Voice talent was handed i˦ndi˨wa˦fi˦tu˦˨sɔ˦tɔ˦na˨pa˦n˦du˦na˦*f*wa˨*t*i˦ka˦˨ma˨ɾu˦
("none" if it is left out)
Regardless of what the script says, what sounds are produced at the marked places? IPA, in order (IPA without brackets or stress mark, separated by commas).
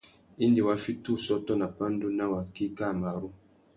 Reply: none, k